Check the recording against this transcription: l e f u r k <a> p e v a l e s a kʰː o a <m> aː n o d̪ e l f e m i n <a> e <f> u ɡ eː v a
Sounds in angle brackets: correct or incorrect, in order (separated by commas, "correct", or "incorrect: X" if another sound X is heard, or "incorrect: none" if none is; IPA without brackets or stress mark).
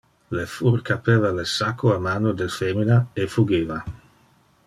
correct, correct, correct, correct